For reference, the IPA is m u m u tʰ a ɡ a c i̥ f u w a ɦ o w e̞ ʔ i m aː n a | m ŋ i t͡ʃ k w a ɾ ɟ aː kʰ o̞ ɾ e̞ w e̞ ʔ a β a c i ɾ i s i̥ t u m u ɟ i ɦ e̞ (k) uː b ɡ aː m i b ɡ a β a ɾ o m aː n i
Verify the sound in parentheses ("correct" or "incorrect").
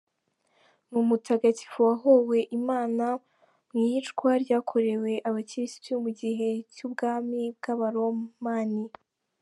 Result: incorrect